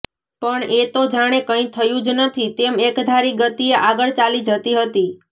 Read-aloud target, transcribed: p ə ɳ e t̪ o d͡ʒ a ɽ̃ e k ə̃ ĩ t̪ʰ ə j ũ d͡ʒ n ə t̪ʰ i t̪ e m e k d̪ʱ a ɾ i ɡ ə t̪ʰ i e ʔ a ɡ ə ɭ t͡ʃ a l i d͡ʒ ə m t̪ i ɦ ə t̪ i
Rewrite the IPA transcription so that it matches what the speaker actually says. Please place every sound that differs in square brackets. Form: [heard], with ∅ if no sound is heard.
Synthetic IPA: p ə ɳ e t̪ o d͡ʒ a ɽ̃ e k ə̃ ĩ t̪ʰ ə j ũ d͡ʒ n ə t̪ʰ i t̪ e m e k d̪ʱ a ɾ i ɡ ə [t̪] i e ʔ a ɡ ə ɭ t͡ʃ a l i d͡ʒ ə [∅] t̪ i ɦ ə t̪ i